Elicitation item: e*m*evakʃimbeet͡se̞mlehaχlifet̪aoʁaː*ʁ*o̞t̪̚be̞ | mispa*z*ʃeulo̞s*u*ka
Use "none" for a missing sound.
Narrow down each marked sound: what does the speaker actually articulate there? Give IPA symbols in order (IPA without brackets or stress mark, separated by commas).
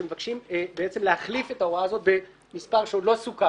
m, z, ʁ, u